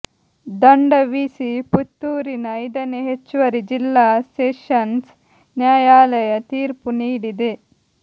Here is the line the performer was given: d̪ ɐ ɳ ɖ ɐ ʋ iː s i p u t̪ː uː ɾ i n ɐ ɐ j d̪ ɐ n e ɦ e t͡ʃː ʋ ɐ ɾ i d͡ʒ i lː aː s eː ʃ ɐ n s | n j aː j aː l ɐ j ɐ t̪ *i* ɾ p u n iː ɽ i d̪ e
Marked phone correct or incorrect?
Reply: incorrect